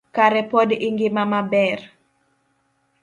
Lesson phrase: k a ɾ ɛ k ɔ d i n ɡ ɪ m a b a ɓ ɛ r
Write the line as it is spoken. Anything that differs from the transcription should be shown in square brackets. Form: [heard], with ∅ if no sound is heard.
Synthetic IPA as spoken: k a ɾ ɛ [p] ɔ d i [ŋ] ɡ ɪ m a [m] a [b] ɛ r

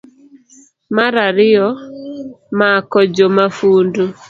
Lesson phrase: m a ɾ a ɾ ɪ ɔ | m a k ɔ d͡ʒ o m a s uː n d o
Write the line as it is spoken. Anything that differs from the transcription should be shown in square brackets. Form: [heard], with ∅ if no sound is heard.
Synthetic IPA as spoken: m a ɾ a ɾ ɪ ɔ | m a k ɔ d͡ʒ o m a [f] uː n d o

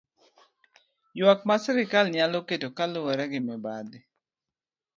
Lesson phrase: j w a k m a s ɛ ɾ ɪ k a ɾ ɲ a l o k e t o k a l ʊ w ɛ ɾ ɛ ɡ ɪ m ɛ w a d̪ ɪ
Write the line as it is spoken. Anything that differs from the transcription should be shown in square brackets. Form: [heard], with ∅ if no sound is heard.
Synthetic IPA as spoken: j w a k m a s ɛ ɾ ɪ k a [l] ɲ a l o k e t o k a l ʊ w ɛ ɾ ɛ ɡ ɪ m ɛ [b] a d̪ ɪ

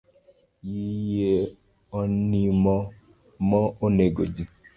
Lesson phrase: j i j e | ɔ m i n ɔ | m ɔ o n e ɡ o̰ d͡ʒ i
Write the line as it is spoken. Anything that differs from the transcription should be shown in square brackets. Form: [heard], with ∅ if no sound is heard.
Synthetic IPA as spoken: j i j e | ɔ [n] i [m] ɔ | m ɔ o n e ɡ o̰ d͡ʒ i

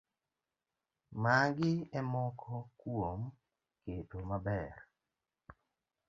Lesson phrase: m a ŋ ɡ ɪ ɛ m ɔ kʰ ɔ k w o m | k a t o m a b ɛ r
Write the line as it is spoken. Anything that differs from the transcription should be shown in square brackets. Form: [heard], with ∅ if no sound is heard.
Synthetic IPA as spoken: m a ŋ ɡ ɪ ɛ m ɔ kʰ ɔ k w o m | k [e] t o m a b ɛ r

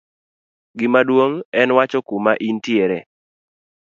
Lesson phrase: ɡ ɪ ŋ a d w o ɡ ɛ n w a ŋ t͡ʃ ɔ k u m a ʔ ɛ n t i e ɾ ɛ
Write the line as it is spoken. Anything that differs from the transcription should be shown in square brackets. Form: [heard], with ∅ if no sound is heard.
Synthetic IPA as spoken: ɡ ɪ [m] a d w o [ŋ] ɛ n w a [∅] t͡ʃ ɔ k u m a ʔ [i] n t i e ɾ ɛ

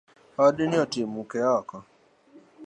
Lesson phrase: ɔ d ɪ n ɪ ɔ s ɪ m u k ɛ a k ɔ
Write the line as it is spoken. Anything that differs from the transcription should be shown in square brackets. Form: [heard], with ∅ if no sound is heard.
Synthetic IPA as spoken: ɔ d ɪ n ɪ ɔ [t] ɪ m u k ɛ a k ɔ

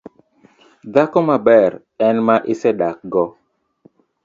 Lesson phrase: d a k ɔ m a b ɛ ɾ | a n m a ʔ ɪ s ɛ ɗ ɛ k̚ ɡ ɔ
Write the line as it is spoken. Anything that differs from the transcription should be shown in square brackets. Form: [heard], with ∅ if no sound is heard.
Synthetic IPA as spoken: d a k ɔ m a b ɛ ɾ | [ɛ] n m a ʔ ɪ s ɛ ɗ [a] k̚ ɡ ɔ

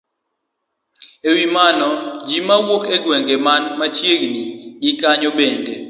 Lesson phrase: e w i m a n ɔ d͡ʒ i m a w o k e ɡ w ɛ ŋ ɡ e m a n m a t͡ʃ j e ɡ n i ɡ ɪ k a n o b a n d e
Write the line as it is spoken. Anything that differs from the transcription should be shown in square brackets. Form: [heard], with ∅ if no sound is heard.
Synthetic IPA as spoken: e w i m a n ɔ d͡ʒ i m a w o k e ɡ w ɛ ŋ ɡ e m a n m a t͡ʃ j e ɡ n i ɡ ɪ k a [ɲ] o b [e] n d e

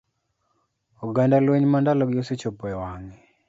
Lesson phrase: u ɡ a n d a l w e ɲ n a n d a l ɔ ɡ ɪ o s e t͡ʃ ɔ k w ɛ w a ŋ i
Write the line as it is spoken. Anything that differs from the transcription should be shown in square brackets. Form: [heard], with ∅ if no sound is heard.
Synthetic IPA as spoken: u ɡ a n d a l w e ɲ [m] a n d a l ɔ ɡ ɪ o s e t͡ʃ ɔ [p] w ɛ w a ŋ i

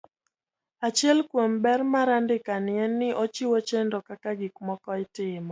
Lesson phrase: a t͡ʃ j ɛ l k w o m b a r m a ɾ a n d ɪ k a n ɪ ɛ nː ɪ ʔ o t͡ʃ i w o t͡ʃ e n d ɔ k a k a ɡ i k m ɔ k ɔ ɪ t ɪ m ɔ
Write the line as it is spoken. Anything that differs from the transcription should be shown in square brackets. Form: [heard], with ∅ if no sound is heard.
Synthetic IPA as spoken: a t͡ʃ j ɛ l k w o m b [ɛ] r m a ɾ a n d ɪ k a n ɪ ɛ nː ɪ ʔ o t͡ʃ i w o t͡ʃ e n d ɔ k a k a ɡ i k m ɔ k ɔ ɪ t ɪ m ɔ

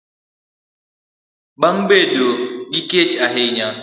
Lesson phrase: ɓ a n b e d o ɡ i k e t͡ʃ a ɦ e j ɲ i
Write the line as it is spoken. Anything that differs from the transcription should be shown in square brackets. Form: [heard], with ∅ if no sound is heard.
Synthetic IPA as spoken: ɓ a [ŋ] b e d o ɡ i k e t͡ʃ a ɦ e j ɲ [a]

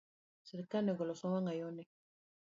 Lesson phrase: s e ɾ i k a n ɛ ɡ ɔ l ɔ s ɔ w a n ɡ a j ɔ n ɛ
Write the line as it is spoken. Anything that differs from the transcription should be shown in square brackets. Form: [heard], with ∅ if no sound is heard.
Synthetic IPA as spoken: s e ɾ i k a n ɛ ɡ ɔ l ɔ s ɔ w a [ŋ] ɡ a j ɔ n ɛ

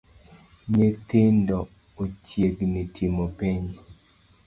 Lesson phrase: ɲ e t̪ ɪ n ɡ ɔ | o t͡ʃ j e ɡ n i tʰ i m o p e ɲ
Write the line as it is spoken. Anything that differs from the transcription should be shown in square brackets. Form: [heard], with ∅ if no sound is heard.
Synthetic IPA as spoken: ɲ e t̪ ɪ n [d] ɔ | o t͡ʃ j e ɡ n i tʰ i m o p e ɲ

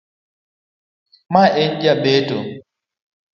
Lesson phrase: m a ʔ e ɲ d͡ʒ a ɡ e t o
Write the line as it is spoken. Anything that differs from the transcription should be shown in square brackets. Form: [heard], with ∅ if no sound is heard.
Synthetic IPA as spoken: m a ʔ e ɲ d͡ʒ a [b] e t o

